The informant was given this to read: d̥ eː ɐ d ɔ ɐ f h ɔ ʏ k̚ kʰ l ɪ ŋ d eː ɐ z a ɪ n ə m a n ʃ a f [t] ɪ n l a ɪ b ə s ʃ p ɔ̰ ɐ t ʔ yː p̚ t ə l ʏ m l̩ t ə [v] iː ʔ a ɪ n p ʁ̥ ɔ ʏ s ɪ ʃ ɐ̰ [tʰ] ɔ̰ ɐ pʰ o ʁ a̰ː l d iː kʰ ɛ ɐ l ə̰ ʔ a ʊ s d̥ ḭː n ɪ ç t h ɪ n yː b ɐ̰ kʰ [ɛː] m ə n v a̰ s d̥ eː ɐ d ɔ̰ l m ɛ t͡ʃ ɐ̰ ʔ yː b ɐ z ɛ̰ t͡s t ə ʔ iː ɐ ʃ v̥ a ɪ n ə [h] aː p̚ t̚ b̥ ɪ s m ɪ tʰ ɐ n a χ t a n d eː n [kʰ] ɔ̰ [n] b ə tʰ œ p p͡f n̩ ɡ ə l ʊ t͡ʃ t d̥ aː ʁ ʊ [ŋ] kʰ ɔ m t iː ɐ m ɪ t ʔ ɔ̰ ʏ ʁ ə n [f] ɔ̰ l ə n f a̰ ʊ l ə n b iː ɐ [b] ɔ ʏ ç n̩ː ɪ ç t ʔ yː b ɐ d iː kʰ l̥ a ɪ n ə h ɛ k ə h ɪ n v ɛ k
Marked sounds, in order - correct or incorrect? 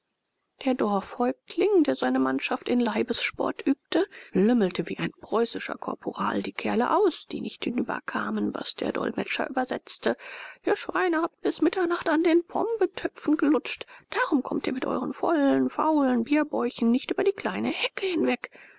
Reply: correct, correct, incorrect: kʰ, incorrect: aː, correct, incorrect: pʰ, incorrect: m, incorrect: m, correct, correct

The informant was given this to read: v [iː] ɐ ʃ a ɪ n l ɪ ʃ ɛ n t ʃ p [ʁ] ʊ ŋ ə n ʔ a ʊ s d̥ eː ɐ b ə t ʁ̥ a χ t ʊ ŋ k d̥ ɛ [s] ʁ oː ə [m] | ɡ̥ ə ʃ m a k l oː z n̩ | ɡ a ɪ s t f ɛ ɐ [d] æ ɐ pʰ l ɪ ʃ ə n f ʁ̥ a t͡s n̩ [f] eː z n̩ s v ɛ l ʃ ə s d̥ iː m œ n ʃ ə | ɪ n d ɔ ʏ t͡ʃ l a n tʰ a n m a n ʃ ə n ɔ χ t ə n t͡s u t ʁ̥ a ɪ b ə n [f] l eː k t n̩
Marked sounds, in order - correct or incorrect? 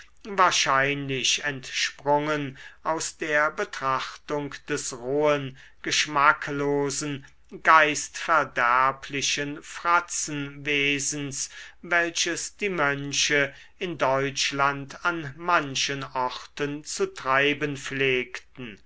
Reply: incorrect: aː, correct, correct, incorrect: n, correct, incorrect: v, correct

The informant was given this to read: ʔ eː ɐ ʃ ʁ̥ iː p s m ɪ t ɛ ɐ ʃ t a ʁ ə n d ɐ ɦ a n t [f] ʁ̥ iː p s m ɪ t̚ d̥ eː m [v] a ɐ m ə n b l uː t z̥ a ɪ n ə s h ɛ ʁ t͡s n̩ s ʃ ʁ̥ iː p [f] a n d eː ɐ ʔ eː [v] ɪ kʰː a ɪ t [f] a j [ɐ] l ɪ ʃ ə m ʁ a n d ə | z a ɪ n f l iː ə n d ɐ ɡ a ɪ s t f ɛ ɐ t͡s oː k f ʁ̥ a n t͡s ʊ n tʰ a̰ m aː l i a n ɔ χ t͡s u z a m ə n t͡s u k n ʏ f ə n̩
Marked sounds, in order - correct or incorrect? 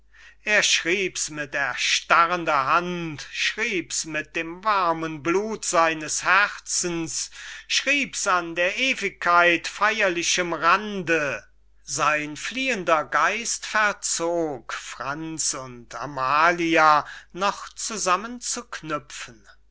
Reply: incorrect: ʃ, correct, incorrect: s, correct, correct, correct

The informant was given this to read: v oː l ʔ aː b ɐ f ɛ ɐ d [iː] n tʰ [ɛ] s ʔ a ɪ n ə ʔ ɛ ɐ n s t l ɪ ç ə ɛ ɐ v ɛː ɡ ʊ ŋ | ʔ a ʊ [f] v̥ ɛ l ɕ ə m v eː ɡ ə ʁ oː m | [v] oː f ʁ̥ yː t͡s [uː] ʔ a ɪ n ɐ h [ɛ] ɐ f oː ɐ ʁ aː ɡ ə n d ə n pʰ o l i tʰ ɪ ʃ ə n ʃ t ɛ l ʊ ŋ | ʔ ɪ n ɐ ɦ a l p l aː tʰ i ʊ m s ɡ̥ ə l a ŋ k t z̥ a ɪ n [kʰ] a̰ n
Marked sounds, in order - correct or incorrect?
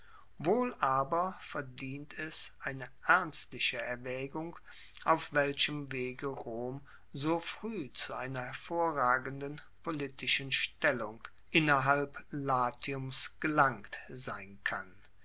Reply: correct, correct, correct, incorrect: z, incorrect: u, correct, correct

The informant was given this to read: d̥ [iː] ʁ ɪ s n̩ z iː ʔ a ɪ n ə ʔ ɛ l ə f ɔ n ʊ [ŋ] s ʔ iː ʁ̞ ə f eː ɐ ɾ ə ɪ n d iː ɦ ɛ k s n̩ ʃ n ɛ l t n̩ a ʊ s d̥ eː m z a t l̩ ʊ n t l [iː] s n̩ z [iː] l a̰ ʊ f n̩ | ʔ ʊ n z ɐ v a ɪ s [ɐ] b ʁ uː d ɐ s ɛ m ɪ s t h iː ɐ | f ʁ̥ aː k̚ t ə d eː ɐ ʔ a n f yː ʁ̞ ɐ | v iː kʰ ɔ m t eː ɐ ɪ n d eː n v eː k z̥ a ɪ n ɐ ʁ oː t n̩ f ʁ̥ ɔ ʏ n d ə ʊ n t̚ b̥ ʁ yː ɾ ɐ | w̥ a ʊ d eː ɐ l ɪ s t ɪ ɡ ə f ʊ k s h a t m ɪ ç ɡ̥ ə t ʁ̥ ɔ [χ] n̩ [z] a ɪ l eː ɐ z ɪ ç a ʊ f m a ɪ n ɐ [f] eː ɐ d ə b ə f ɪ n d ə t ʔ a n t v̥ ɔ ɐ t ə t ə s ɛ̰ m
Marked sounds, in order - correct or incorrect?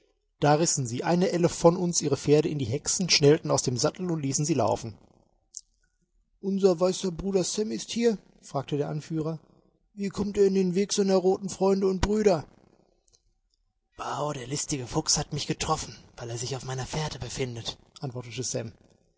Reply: incorrect: aː, incorrect: n, correct, correct, correct, incorrect: f, incorrect: v, correct

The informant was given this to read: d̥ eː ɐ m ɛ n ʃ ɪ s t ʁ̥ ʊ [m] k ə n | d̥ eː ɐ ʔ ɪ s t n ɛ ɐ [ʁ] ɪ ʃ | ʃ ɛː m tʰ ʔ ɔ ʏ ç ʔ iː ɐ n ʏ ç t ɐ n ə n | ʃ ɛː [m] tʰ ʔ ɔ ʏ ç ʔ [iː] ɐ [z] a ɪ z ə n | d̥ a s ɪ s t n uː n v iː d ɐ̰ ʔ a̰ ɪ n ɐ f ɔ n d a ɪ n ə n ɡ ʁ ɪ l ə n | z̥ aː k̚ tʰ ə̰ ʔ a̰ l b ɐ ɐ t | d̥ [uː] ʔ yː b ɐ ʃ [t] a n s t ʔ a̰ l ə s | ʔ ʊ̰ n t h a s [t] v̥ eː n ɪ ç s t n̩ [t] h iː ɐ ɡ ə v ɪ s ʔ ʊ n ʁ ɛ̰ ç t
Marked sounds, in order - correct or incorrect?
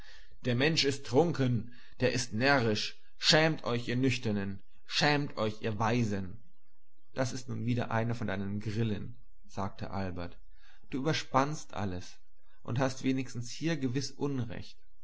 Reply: incorrect: ŋ, correct, correct, correct, incorrect: v, correct, incorrect: p, correct, incorrect: s

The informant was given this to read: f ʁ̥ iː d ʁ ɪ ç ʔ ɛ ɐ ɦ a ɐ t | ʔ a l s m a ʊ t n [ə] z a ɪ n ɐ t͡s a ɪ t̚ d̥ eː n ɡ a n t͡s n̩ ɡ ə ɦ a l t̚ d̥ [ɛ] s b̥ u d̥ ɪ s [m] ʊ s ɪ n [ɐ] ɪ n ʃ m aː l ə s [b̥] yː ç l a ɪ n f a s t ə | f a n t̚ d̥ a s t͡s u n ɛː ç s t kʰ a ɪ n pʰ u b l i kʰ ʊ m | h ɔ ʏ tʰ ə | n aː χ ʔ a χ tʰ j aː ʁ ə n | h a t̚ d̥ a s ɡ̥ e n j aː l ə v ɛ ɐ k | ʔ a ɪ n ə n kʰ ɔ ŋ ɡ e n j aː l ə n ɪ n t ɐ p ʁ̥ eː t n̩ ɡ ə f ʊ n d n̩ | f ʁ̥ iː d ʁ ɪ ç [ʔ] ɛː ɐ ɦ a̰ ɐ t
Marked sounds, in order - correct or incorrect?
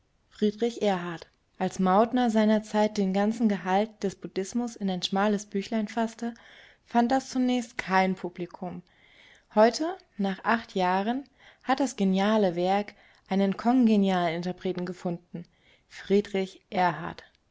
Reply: incorrect: ɐ, correct, correct, incorrect: a, correct, correct

